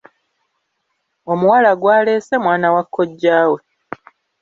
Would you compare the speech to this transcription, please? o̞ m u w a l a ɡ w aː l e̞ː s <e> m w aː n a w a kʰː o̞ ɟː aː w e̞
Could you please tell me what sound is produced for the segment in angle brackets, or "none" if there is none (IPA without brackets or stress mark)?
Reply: e